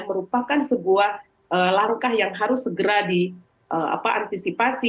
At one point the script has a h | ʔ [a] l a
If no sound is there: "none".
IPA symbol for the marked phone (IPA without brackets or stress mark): ə